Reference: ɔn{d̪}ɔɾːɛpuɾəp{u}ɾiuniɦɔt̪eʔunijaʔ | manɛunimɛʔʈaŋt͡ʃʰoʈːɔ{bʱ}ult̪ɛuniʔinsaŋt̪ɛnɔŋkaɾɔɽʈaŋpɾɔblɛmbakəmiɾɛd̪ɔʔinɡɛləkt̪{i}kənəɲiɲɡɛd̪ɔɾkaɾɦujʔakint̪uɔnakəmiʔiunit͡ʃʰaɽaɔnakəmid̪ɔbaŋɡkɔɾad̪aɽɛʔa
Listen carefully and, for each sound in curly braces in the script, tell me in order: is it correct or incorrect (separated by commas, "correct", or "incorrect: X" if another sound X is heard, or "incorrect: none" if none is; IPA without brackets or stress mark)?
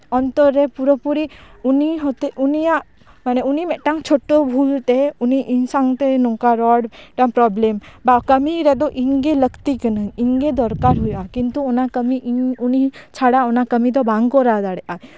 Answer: incorrect: t̪, correct, correct, correct